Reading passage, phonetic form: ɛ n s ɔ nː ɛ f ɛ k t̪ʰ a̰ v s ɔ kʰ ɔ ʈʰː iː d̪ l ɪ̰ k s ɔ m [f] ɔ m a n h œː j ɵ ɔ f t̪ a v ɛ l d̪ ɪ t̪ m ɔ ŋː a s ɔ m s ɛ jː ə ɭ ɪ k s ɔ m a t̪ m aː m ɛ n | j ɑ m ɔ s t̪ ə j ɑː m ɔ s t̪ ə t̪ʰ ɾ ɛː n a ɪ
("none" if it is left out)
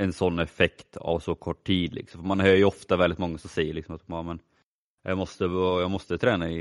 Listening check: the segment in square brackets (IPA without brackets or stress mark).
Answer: f